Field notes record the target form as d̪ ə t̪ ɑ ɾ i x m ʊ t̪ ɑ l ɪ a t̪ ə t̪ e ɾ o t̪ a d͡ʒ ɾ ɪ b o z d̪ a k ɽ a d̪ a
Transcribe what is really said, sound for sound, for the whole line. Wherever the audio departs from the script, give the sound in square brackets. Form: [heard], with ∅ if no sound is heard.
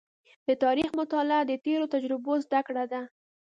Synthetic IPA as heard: d̪ ə t̪ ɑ ɾ i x m ʊ t̪ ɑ l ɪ a [d̪] ə t̪ e ɾ o t̪ a d͡ʒ ɾ ɪ b o z d̪ a k ɽ a d̪ a